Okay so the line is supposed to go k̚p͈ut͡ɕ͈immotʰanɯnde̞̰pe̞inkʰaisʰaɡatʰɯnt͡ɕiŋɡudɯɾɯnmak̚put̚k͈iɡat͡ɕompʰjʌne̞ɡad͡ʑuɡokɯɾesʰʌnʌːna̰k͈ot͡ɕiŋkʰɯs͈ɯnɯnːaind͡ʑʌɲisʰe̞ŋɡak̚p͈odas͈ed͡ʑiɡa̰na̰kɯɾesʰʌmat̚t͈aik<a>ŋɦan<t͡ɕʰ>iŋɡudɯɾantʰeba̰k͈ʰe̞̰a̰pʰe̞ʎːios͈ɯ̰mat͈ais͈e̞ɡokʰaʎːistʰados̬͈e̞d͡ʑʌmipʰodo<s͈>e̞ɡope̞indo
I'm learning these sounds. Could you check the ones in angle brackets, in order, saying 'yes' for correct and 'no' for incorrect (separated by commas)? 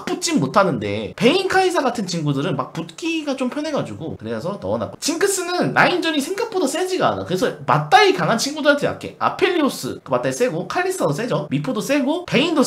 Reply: yes, yes, yes